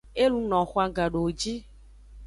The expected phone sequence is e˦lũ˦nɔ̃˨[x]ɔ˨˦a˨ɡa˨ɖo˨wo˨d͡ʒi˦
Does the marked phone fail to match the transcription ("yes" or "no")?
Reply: no